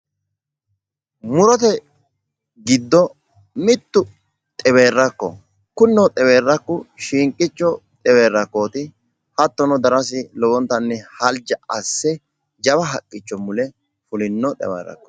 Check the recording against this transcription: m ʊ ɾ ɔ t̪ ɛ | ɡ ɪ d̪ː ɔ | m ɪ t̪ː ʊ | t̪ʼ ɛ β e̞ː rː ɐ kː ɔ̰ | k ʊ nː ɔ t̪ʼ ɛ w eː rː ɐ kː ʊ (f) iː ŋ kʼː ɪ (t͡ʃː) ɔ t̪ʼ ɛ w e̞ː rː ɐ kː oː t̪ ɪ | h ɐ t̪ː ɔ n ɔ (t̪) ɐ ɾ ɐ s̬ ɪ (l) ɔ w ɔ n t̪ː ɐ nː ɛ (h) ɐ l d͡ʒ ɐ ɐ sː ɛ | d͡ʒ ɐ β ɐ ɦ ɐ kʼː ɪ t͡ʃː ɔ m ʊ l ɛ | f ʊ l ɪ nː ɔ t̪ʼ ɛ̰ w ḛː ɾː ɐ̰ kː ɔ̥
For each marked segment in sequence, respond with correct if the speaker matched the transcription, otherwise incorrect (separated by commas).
incorrect, correct, incorrect, correct, correct